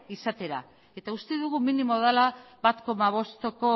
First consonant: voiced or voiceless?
voiceless